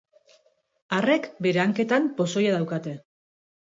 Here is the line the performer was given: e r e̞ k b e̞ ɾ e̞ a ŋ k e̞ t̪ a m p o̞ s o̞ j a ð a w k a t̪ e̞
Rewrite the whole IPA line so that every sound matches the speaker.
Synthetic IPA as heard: a r e̞ k b e̞ ɾ e̞ a ŋ k e̞ t̪ a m p o̞ s o̞ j a ð a w k a t̪ e̞